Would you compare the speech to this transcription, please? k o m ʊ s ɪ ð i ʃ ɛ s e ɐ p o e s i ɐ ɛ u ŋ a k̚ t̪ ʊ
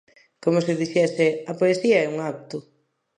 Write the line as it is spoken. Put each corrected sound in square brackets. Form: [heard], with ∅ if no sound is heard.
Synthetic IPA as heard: k o m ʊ s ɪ ð i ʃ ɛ s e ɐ p o e s i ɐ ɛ u ŋ a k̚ t̪ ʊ